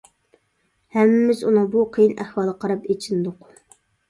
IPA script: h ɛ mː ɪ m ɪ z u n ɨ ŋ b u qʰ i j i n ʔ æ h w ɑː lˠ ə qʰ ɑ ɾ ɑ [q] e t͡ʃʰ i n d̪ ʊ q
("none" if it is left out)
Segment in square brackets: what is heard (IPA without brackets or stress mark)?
p